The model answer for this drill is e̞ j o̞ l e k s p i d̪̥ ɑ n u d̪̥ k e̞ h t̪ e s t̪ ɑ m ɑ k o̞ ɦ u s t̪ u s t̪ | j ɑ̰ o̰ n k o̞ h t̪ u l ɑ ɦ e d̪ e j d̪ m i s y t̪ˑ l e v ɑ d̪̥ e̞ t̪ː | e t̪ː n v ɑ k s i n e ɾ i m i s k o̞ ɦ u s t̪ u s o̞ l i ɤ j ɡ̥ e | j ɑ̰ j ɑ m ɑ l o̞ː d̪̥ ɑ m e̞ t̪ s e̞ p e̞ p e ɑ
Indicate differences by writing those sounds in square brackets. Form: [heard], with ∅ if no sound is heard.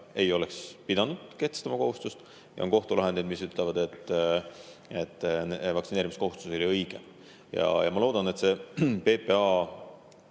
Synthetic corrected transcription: e̞ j o̞ l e k s p i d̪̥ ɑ n u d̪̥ k e̞ h t̪ e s t̪ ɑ m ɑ k o̞ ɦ u s t̪ u s t̪ | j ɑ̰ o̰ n k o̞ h t̪ u l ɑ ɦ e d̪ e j d̪ m i s y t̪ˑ l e v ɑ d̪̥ e̞ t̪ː | e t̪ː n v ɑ k s i n e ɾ i m i s k o̞ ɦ u s t̪ u s o̞ l i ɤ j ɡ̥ e | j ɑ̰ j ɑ m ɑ l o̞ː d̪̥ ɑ [n] e̞ t̪ s e̞ p e̞ p e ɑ

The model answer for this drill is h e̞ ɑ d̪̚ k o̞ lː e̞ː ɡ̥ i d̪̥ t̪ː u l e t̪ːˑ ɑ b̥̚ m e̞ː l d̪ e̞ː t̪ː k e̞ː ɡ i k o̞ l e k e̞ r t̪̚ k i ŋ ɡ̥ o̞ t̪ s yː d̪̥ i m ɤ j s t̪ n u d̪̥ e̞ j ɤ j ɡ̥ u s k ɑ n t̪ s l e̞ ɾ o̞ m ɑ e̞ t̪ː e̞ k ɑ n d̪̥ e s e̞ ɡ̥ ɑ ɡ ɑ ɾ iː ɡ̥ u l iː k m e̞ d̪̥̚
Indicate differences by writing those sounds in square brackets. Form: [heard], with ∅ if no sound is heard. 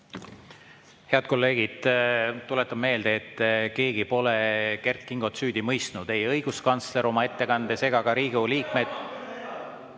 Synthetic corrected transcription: h e̞ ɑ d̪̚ k o̞ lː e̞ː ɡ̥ i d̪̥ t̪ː u l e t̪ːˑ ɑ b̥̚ m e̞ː l d̪ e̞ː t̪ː k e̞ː ɡ i [p] o̞ l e k e̞ r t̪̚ k i ŋ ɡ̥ o̞ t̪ s yː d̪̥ i m ɤ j s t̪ n u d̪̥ e̞ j ɤ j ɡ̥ u s k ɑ n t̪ s l e̞ ɾ o̞ m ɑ e̞ t̪ː e̞ k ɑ n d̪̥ e s e̞ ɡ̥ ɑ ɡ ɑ ɾ iː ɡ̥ u l iː k m e̞ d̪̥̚

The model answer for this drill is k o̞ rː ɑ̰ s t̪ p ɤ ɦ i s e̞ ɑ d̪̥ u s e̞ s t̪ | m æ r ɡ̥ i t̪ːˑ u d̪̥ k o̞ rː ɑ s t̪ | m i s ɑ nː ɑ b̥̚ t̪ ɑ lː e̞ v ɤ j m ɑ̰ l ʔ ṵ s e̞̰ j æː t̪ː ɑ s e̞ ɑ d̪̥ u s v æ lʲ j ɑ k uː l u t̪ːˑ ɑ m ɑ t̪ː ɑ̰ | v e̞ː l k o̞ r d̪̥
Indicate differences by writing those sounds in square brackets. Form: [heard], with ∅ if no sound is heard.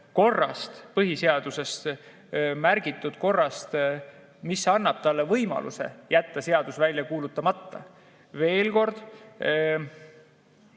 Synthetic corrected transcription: k o̞ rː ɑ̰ s t̪ p ɤ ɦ i s e̞ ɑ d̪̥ u s e̞ s t̪ | m æ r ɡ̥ i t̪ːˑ u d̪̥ k o̞ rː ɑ s t̪ | m i s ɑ nː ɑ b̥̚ t̪ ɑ lː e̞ v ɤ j m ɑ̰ l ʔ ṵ s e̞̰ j [æ] t̪ː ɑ s e̞ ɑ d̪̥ u s v æ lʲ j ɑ k uː l u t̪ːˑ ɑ m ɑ t̪ː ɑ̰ | v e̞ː l k o̞ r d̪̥

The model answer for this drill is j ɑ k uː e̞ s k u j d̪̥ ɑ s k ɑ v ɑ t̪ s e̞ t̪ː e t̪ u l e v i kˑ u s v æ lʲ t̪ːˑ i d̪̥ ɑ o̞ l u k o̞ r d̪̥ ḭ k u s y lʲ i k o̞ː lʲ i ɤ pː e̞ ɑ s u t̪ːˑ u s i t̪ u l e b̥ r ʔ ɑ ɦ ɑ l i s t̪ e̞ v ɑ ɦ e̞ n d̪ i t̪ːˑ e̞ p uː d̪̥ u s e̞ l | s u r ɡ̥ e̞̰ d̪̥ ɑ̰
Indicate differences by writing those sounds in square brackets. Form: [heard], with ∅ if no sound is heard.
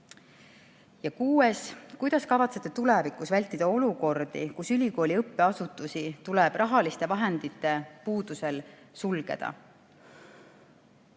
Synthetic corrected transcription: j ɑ k uː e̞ s k u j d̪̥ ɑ s k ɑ v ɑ t̪ s e̞ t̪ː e t̪ u l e v i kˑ u s v æ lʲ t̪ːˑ i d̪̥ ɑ o̞ l u k o̞ r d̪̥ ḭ k u s y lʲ i k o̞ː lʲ i ɤ pː e̞ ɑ s u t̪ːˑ u s i t̪ u l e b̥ r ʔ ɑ ɦ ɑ l i s t̪ e̞ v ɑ ɦ e̞ n d̪ i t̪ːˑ e̞ p uː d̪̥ u s e̞ l | s u [l] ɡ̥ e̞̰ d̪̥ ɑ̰

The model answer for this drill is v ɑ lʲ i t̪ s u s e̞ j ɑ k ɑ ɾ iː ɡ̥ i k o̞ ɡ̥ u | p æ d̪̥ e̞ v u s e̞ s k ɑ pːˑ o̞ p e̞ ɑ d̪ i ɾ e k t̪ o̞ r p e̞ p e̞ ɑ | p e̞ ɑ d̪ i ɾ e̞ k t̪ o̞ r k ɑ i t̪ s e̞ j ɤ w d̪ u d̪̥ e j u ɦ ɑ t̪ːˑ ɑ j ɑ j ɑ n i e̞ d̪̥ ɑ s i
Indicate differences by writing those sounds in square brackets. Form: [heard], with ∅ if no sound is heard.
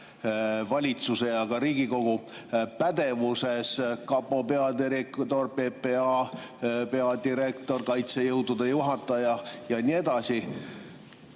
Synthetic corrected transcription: v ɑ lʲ i t̪ s u s e̞ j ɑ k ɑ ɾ iː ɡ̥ i k o̞ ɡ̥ u | p æ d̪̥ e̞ v u s e̞ s k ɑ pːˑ o̞ p e̞ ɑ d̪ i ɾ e k t̪ o̞ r p e̞ p e̞ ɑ | p e̞ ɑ d̪ i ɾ e̞ k t̪ o̞ r k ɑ [j] t̪ s e̞ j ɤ w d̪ u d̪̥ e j u ɦ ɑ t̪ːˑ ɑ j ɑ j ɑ n i e̞ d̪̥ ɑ s i

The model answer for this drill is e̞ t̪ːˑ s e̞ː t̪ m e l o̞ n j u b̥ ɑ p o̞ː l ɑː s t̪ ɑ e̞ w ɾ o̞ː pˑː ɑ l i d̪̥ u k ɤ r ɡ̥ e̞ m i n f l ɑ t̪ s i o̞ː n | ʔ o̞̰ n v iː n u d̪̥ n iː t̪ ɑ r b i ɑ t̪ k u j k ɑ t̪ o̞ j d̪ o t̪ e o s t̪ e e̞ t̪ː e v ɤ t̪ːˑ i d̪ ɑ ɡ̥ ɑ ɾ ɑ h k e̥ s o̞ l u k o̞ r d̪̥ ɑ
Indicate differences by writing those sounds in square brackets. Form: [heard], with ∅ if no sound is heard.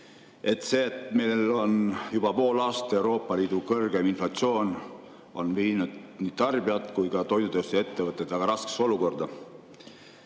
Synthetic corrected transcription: e̞ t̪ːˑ s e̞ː t̪ m e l o̞ n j u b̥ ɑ p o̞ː l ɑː s t̪ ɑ e̞ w ɾ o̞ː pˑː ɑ l [iː] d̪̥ u k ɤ r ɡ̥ e̞ m i n f l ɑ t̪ s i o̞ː n | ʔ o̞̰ n v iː n u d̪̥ n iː t̪ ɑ r b i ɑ t̪ k u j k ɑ t̪ o̞ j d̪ [u] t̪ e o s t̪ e e̞ t̪ː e v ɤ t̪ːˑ [e] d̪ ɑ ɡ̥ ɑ ɾ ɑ [s] k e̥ s o̞ l u k o̞ r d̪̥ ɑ

